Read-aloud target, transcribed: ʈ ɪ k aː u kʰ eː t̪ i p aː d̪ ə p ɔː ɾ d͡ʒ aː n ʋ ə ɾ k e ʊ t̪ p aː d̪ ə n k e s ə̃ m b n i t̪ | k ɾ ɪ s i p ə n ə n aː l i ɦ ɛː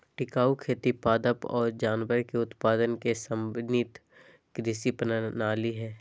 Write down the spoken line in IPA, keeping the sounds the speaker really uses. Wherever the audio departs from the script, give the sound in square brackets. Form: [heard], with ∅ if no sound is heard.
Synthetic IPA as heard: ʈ ɪ k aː u kʰ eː t̪ i p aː d̪ ə p ɔː ɾ d͡ʒ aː n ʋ ə ɾ k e ʊ t̪ p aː d̪ ə n k e s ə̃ m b n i t̪ | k ɾ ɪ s i p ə n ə n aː l i ɦ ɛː